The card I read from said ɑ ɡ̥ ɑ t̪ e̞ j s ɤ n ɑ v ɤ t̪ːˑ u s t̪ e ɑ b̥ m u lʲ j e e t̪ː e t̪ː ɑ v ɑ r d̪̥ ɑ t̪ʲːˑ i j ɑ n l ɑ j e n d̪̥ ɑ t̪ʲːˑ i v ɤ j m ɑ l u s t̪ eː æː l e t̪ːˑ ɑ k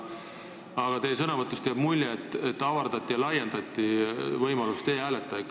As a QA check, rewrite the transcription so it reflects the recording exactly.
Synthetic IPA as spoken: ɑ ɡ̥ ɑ t̪ e̞ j s ɤ n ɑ v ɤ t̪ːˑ u s t̪ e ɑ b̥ m u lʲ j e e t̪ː e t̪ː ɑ v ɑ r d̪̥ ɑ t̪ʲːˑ i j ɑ l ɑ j e n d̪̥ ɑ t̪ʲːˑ i v ɤ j m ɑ l u s t̪ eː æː l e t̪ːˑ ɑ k